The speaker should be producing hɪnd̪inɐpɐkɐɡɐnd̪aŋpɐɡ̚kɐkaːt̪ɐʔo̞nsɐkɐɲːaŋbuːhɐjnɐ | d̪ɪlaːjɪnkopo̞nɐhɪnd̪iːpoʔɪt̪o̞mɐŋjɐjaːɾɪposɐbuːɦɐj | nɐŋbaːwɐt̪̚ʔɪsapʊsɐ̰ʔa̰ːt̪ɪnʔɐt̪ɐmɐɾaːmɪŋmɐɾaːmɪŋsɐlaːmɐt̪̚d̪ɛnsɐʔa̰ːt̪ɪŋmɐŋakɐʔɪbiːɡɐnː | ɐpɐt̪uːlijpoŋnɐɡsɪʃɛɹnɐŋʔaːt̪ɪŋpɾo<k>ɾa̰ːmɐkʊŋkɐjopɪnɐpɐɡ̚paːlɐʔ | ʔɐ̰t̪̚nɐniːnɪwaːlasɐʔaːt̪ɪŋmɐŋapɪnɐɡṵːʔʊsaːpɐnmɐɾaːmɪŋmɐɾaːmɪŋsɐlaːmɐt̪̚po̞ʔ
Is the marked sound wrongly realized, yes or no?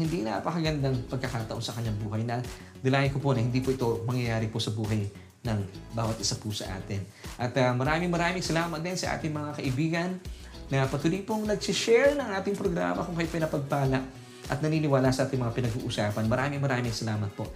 yes